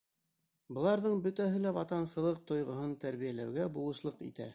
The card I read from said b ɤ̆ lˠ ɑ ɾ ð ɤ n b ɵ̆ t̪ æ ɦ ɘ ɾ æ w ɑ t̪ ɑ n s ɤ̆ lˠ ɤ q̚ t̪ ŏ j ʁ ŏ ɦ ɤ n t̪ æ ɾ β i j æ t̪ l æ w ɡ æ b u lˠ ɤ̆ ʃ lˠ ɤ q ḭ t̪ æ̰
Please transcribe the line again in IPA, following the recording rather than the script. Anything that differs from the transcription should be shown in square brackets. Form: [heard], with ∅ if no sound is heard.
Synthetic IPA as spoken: b ɤ̆ lˠ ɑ ɾ ð ɤ [ɴ] b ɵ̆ t̪ æ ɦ ɘ [l] æ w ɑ t̪ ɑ n s ɤ̆ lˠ ɤ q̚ t̪ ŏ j ʁ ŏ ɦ ɤ n t̪ æ ɾ β i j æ [∅] l æ w ɡ æ b u lˠ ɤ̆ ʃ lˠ ɤ q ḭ t̪ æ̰

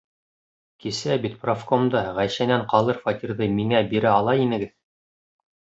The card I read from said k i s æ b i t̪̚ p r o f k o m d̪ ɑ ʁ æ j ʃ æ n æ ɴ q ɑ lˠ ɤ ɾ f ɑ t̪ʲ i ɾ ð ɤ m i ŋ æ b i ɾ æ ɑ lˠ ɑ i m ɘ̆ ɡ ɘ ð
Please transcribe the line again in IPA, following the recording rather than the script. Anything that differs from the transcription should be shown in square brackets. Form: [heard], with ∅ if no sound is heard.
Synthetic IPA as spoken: k i s æ b i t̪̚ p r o f k o m d̪ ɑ ʁ æ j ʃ æ n æ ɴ q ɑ lˠ ɤ ɾ f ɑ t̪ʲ i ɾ ð ɤ m i ŋ æ b i ɾ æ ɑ lˠ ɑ i [n] ɘ̆ ɡ ɘ ð

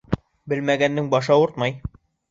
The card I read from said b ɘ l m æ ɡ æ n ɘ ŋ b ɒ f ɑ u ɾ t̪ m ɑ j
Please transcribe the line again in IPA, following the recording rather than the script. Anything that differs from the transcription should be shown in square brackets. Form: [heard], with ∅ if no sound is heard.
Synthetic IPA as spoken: b ɘ l m æ ɡ æ [nː] ɘ ŋ b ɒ [ʃ] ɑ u ɾ t̪ m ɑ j

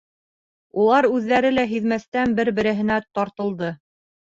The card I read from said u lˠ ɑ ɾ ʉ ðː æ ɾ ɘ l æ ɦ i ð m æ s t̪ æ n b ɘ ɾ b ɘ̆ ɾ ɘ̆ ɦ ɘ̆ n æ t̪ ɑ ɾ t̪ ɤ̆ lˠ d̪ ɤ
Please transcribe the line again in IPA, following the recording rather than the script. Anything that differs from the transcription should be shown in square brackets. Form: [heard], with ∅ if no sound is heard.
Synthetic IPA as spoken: u lˠ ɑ ɾ ʉ ðː æ ɾ ɘ l æ ɦ i ð m æ s t̪ æ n b ɘ ɾ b ɘ̆ ɾ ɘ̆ ɦ ɘ̆ n æ t̪ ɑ ɾ t̪ ɤ̆ lˠ d̪ ɤ

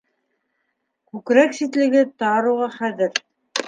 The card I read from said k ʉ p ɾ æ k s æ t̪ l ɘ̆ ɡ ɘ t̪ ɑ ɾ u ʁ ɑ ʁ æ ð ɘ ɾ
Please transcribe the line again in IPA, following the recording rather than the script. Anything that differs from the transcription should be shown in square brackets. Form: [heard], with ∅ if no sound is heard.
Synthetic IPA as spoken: k ʉ [k] ɾ æ k s [i] t̪ l ɘ̆ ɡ ɘ t̪ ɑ ɾ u ʁ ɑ [χ] æ ð ɘ ɾ

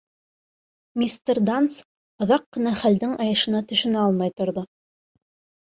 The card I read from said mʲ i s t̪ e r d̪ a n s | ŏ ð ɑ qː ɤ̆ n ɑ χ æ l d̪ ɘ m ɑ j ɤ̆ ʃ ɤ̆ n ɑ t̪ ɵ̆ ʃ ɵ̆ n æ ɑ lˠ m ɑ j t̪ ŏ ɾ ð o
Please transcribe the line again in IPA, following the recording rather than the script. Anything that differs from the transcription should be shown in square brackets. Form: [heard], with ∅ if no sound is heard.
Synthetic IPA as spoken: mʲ i s t̪ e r d̪ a n s | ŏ ð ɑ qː ɤ̆ n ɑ χ æ l d̪ ɘ [ŋ] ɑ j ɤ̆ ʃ ɤ̆ n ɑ t̪ ɵ̆ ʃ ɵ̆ n æ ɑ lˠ m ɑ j t̪ ŏ ɾ ð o

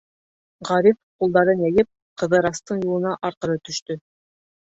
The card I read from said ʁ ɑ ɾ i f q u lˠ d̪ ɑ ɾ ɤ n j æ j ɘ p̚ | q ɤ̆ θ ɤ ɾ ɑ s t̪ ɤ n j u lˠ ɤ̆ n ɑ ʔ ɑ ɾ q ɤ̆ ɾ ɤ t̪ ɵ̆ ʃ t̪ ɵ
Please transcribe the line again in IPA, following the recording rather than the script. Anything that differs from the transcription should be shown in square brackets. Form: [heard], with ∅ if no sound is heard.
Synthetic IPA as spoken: ʁ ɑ ɾ i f q u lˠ d̪ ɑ ɾ ɤ n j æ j ɘ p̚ | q ɤ̆ [ð] ɤ ɾ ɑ s t̪ ɤ [ɴ] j u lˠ ɤ̆ n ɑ ʔ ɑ ɾ q ɤ̆ ɾ ɤ t̪ ɵ̆ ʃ t̪ ɵ

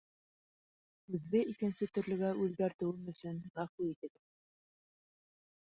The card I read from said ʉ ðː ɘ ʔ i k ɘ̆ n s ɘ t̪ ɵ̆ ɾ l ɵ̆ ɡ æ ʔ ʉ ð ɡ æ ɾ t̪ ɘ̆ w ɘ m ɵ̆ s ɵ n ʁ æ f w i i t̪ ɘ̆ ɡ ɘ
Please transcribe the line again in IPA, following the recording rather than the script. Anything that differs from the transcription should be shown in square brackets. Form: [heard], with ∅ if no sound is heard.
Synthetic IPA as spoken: ʉ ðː ɘ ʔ i k ɘ̆ n s ɘ t̪ ɵ̆ ɾ l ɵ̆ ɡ æ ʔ ʉ ð ɡ æ ɾ t̪ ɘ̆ w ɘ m ɵ̆ s ɵ n ʁ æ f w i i t̪ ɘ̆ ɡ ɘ

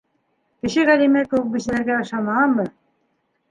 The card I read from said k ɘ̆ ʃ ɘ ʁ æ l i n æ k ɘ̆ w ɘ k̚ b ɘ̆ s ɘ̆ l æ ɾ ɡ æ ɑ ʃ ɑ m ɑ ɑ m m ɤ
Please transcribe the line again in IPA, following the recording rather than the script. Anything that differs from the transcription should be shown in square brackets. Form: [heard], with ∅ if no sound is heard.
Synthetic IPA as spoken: k ɘ̆ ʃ ɘ ʁ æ l i [m] æ k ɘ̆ w ɘ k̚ b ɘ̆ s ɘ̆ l æ ɾ ɡ æ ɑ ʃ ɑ m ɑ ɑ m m ɤ

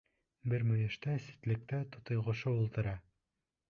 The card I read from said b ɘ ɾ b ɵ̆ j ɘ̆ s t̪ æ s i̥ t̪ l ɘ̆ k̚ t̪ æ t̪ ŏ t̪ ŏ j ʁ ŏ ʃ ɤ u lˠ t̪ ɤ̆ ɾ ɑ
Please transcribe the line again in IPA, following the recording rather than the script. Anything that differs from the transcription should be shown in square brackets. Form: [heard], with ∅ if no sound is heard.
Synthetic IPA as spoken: b ɘ ɾ [m] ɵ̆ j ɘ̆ [ʃ] t̪ æ s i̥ t̪ l ɘ̆ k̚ t̪ æ t̪ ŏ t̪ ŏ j ʁ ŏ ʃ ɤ u lˠ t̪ ɤ̆ ɾ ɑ

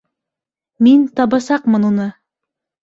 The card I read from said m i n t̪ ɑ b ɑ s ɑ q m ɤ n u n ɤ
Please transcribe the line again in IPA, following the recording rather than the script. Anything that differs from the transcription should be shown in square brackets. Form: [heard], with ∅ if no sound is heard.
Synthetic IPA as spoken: m i n t̪ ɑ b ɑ s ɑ q m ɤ n u n ɤ

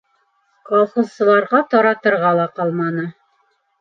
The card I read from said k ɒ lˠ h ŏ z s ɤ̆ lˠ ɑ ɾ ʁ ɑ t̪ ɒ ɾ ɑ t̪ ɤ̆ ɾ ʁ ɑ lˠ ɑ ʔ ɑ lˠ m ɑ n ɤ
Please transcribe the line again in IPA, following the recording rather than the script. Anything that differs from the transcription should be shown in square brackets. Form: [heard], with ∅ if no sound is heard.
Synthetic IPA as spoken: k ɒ lˠ [χ] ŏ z s ɤ̆ lˠ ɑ ɾ ʁ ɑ t̪ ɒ ɾ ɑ t̪ ɤ̆ ɾ ʁ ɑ lˠ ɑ [q] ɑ lˠ m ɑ n ɤ

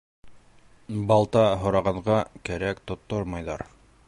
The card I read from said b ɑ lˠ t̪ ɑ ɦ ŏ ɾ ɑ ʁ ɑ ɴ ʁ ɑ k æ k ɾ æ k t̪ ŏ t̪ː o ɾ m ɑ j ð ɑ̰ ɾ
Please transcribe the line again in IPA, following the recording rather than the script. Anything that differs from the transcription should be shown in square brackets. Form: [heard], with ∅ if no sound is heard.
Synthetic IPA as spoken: b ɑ lˠ t̪ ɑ ɦ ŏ ɾ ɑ ʁ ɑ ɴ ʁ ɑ k æ [∅] ɾ æ k t̪ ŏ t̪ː o ɾ m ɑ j ð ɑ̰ ɾ

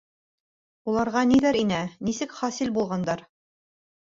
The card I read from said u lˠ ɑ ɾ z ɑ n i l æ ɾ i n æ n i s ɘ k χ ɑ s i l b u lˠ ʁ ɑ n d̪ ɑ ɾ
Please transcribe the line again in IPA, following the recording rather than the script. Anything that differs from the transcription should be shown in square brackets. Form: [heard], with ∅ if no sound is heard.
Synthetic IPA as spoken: u lˠ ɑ ɾ [ʁ] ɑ n i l æ ɾ i n æ n i s ɘ k χ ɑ s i l b u lˠ ʁ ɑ n d̪ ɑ ɾ

